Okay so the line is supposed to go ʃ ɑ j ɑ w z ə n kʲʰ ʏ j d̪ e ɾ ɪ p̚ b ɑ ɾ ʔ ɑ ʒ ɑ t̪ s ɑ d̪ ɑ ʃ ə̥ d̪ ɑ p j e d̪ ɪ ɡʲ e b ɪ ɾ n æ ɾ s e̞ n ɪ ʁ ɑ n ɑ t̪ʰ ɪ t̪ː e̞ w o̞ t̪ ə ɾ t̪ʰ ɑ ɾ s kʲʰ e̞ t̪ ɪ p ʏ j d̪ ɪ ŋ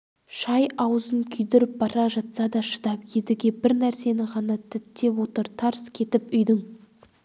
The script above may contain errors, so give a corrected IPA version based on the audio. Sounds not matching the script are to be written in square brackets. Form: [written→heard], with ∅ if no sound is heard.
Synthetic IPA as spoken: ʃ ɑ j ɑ w z ə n kʲʰ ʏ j d̪ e ɾ ɪ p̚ b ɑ ɾ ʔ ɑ ʒ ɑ t̪ s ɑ d̪ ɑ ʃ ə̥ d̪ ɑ p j e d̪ ɪ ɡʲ e b ɪ ɾ n æ ɾ s e̞ n ɪ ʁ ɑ n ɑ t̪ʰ ɪ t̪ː e̞ w o̞ t̪ ə ɾ t̪ʰ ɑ ɾ s kʲʰ e̞ t̪ ɪ p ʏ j d̪ ɪ ŋ